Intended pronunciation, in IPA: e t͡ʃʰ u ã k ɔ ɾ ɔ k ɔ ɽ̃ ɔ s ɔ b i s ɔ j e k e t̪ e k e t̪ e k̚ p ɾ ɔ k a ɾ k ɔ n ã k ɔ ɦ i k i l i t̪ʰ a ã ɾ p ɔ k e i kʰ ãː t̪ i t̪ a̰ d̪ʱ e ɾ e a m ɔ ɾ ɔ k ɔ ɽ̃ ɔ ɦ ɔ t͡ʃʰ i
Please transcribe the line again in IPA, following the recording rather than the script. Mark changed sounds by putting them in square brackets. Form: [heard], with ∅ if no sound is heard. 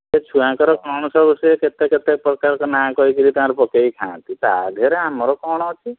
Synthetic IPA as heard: e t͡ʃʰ u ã k ɔ ɾ ɔ k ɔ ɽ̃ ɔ s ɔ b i s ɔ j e k e t̪ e k e t̪ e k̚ p ɾ ɔ k a ɾ k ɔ n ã k ɔ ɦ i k i l i [t̪] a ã ɾ p ɔ k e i kʰ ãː t̪ i t̪ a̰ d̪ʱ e ɾ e a m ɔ ɾ ɔ k ɔ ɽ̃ ɔ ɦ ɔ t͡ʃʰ i